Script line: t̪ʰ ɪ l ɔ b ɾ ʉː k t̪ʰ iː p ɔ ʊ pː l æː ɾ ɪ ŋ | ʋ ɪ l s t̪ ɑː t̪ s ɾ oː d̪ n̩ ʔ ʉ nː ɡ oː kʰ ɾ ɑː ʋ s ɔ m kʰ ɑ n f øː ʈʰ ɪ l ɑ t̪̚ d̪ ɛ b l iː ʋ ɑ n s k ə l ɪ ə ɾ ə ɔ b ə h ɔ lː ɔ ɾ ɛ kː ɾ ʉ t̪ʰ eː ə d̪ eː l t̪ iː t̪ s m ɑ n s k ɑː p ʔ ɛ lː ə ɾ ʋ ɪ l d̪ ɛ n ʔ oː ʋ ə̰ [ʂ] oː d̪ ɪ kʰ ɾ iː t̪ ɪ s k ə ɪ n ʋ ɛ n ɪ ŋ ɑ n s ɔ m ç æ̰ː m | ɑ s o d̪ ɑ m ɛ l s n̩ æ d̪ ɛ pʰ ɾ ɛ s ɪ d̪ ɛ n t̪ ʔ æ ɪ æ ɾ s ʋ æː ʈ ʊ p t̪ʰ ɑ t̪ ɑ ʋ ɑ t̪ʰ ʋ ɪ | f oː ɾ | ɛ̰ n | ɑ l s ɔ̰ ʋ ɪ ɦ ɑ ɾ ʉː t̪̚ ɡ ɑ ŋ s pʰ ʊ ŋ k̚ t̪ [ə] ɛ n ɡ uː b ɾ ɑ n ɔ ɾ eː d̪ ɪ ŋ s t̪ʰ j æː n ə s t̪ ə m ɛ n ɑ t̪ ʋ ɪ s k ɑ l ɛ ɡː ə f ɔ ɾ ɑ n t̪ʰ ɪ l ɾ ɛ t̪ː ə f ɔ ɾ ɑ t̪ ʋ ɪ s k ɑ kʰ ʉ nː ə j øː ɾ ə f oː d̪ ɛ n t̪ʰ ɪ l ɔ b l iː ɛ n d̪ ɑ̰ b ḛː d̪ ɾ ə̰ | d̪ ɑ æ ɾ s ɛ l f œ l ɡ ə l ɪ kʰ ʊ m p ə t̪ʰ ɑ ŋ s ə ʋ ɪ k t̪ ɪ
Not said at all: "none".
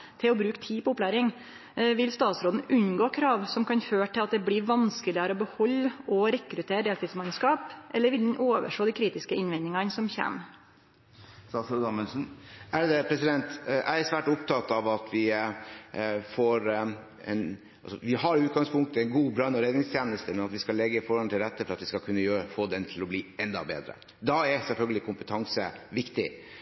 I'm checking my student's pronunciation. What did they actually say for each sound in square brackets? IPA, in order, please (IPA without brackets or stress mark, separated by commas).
ʂ, ə